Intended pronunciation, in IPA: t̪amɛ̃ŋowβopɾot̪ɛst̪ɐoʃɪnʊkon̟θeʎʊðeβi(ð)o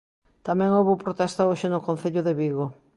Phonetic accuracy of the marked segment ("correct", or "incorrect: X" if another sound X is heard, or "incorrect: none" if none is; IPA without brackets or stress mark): incorrect: ɣ